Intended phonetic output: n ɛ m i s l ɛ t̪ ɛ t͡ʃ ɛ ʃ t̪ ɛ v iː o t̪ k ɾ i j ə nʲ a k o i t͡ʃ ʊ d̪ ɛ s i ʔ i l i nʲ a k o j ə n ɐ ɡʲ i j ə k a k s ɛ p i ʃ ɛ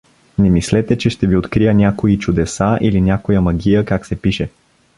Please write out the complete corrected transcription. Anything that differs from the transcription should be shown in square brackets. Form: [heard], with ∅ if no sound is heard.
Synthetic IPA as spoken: n ɛ m i s l ɛ t̪ ɛ t͡ʃ ɛ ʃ t̪ ɛ v [i] o t̪ k ɾ i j ə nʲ a k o i t͡ʃ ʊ d̪ ɛ s [a] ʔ i l i nʲ a k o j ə [m] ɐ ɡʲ i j ə k a k s ɛ p i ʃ ɛ

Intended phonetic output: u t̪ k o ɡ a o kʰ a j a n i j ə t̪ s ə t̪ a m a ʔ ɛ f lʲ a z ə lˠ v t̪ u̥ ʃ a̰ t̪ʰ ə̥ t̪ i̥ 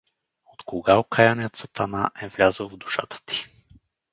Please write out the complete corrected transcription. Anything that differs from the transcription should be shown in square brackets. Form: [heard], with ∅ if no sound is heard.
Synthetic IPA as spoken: [o] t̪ k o ɡ a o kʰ a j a n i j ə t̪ s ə t̪ a [n] a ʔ ɛ [v] lʲ a z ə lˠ v [d̪] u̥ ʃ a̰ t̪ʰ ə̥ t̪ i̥

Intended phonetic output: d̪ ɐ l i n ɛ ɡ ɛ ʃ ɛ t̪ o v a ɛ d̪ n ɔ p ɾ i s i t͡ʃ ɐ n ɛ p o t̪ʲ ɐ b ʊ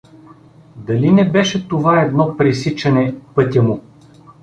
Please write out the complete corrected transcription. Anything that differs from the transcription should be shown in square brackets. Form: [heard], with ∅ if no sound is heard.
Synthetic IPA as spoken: d̪ ɐ l i n ɛ [b] ɛ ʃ ɛ t̪ o v a ɛ d̪ n ɔ p ɾ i s i t͡ʃ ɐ n ɛ p [ɤ] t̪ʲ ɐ [m] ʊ

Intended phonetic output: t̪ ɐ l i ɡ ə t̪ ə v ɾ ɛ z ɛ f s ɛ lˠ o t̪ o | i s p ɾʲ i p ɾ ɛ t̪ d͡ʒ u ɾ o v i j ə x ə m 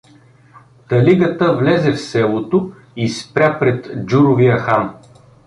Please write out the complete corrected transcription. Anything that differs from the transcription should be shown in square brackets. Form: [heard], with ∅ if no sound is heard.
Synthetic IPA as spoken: t̪ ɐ l i ɡ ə t̪ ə v [l] ɛ z ɛ f s ɛ lˠ o t̪ o | i s p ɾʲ [a] p ɾ ɛ t̪ d͡ʒ u ɾ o v i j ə x [a] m

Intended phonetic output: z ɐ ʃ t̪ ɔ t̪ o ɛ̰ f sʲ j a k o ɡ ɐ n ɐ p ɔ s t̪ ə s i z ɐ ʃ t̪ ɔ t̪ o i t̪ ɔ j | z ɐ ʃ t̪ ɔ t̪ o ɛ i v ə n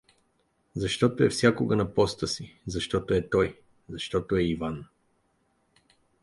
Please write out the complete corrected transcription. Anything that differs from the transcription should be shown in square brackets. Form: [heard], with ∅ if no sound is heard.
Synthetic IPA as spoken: z ɐ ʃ t̪ ɔ t̪ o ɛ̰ f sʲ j a k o ɡ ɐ n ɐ p ɔ s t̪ ə s i z ɐ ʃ t̪ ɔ t̪ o [ɛ] t̪ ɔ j | z ɐ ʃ t̪ ɔ t̪ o ɛ i v [a] n

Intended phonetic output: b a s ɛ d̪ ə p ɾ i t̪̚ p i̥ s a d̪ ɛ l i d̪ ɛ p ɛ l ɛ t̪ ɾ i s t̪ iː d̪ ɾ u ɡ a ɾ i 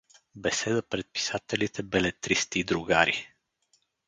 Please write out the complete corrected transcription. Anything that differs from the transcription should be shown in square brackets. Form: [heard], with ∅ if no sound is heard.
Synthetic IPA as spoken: b [ɛ] s ɛ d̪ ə p ɾ [ɛ] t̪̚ p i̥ s a [t̪] ɛ l i [t̪] ɛ [b] ɛ l ɛ t̪ ɾ i s t̪ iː d̪ ɾ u ɡ a ɾ i

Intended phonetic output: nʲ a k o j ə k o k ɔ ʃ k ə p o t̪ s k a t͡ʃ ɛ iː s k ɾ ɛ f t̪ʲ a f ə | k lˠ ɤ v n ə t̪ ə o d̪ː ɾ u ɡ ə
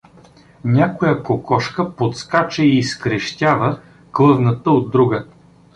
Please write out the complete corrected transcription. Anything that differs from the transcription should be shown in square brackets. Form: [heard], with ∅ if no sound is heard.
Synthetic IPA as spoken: nʲ a k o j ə k o k ɔ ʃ k ə p o t̪ s k a t͡ʃ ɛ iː s k ɾ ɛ [ʃ] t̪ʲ a [v] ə | k lˠ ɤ v n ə t̪ ə o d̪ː ɾ u ɡ ə

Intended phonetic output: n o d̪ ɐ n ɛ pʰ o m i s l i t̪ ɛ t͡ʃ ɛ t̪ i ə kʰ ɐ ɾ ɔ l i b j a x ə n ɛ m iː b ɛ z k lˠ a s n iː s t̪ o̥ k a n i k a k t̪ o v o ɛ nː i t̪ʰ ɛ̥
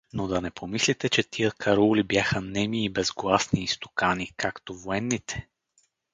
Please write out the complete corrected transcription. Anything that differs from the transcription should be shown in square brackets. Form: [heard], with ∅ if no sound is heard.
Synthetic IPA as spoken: n o d̪ ɐ n ɛ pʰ o m i s l i t̪ ɛ t͡ʃ ɛ t̪ i ə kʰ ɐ ɾ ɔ l i b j a x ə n ɛ m iː b ɛ z [ɡ] lˠ a s n iː s t̪ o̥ k a n i k a k t̪ o v o ɛ nː i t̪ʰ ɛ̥

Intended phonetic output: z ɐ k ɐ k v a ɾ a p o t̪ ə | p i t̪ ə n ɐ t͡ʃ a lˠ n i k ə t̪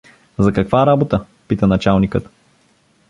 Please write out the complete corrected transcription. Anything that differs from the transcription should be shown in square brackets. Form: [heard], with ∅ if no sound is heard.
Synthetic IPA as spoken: z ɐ k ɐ k v a ɾ a [b] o t̪ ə | p i t̪ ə n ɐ t͡ʃ a lˠ n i k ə t̪

